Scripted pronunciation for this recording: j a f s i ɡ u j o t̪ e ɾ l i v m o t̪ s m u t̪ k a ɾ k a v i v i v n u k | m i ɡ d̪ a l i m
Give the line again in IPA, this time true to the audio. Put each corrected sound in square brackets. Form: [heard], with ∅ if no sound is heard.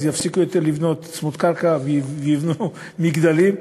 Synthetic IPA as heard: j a f s i [k] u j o t̪ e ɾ l i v [n] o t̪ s m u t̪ k a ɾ k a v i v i v n u [∅] | m i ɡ d̪ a l i m